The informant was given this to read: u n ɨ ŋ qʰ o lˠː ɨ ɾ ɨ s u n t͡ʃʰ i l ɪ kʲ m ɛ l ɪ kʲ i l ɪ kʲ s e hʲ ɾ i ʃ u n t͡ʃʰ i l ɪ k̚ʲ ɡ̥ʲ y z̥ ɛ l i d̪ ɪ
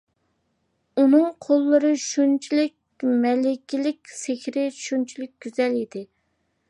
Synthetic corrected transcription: u n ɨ ŋ qʰ o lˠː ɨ ɾ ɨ ʃ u n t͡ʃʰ i l ɪ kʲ m ɛ l ɪ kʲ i l ɪ kʲ s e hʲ ɾ ɪ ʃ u n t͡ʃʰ i l ɪ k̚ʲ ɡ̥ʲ y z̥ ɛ l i d̪ ɪ